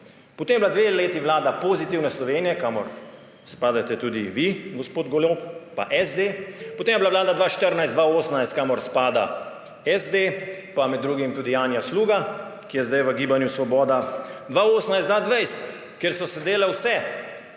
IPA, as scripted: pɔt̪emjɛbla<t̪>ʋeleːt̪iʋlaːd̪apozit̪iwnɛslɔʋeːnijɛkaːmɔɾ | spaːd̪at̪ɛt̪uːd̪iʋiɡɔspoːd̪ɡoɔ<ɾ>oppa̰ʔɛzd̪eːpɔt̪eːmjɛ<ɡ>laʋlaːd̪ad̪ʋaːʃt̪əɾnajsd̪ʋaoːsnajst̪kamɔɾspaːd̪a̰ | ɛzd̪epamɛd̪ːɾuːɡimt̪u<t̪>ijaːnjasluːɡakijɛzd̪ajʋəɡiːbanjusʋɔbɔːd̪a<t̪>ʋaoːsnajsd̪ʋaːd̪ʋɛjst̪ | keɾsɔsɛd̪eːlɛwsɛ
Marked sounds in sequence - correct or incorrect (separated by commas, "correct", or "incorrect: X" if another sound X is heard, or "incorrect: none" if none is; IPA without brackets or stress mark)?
incorrect: d̪, incorrect: l, incorrect: b, incorrect: d̪, incorrect: d̪